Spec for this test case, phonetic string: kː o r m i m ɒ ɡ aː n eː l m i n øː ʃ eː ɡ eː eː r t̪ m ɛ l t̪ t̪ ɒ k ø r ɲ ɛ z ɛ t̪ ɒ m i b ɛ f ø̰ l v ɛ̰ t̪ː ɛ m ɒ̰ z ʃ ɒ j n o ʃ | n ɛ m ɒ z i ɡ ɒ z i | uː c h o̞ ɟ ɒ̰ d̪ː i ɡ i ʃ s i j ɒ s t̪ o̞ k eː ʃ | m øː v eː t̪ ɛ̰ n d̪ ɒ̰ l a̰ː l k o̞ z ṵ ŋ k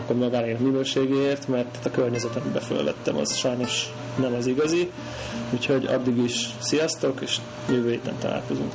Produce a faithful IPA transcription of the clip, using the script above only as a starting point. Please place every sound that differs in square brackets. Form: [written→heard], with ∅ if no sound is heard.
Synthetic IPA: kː o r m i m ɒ ɡ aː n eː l m i n øː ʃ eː ɡ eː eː r t̪ m ɛ [l→r] t̪ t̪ ɒ k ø r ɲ ɛ z ɛ t̪ ɒ m i b ɛ f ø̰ l v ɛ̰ t̪ː ɛ m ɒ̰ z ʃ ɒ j n o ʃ | n ɛ m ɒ z i ɡ ɒ z i | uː c h o̞ ɟ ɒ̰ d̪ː i ɡ i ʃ s i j ɒ s t̪ o̞ k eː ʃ | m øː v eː t̪ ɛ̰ n [d̪→t̪] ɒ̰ l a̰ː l k o̞ z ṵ ŋ k